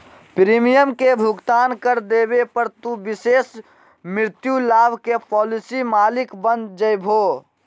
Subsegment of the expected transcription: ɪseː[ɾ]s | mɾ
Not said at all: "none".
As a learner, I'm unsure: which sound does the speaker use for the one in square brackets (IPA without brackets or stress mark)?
none